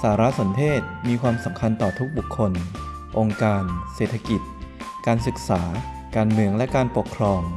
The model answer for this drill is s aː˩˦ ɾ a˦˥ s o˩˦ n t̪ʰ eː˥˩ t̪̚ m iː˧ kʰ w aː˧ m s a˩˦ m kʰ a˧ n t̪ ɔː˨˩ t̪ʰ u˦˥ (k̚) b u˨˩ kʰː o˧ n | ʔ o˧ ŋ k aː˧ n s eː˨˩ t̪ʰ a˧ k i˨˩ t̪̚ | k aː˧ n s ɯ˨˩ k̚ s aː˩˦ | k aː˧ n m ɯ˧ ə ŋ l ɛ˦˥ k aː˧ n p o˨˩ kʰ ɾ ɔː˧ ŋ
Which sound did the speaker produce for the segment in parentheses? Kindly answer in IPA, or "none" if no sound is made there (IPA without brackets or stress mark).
k̚